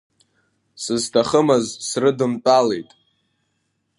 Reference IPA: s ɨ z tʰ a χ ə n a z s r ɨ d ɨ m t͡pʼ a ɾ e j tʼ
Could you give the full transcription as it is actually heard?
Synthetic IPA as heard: s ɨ z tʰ a χ ə m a z s r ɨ d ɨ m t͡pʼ a l e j tʼ